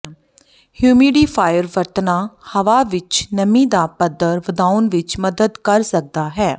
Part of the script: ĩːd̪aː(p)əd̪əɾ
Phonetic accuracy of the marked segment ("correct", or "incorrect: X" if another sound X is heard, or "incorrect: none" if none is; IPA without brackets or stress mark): correct